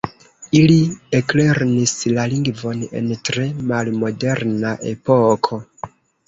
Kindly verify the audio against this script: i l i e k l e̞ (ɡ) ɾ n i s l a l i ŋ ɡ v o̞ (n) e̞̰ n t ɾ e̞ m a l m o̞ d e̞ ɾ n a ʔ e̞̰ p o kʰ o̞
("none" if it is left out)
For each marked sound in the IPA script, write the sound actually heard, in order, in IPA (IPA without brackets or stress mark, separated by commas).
none, n